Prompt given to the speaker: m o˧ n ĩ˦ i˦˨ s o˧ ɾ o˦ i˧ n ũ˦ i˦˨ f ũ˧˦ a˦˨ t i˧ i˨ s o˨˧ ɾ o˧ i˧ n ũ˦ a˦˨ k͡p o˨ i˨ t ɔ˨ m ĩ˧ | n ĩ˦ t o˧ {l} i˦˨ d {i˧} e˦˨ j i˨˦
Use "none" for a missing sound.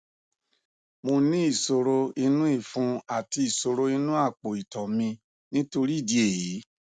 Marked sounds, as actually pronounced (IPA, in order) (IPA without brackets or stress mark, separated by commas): ɾ, i˧